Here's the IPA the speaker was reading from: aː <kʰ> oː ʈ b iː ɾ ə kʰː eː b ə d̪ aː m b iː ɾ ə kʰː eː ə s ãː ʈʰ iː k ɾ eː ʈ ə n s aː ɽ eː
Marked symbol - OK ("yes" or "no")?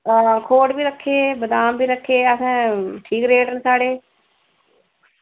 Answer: yes